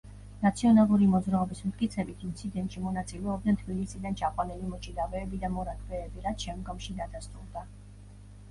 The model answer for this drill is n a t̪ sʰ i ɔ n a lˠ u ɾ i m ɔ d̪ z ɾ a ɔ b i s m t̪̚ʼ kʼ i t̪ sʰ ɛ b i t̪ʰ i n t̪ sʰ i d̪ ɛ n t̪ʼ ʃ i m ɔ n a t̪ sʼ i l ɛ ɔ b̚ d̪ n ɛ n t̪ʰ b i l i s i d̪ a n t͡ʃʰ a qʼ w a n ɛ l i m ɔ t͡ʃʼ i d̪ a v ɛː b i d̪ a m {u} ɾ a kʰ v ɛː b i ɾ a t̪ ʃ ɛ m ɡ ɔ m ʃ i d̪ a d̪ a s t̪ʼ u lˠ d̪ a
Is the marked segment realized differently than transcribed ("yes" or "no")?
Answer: yes